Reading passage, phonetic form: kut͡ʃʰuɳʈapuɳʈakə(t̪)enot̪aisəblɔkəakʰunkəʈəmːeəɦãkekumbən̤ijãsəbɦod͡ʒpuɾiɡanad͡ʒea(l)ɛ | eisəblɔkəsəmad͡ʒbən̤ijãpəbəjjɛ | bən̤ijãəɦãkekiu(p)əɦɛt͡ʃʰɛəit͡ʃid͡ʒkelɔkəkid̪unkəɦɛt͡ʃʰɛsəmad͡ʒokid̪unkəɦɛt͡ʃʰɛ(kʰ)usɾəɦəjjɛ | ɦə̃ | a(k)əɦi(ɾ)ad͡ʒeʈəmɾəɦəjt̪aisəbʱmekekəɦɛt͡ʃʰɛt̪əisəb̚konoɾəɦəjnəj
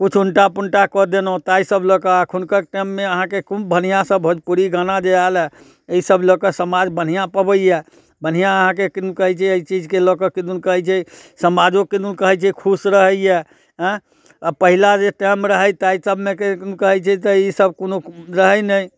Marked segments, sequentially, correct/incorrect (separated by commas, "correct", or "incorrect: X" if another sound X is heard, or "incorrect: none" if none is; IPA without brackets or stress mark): incorrect: d̪, correct, incorrect: k, correct, incorrect: p, incorrect: l